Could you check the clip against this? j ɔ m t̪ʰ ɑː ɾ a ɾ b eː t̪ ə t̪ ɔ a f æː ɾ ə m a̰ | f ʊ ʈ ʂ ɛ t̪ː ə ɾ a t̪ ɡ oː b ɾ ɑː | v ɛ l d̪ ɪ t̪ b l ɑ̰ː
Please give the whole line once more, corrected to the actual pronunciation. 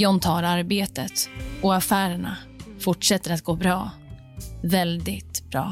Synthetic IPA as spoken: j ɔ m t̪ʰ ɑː ɾ a ɾ b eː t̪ ə t̪ ɔ a f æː ɾ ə ɳ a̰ | f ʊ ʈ ʂ ɛ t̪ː ə ɾ a t̪ ɡ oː b ɾ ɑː | v ɛ l d̪ ɪ t̪ b ɾ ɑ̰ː